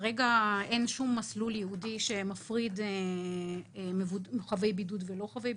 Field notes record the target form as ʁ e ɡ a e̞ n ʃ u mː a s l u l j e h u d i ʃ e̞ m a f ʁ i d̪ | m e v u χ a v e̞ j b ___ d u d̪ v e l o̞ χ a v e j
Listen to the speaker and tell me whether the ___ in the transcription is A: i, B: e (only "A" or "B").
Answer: A